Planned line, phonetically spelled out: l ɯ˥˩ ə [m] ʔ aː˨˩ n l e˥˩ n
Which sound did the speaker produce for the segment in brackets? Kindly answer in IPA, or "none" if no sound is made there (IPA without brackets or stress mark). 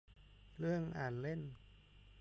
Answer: ŋ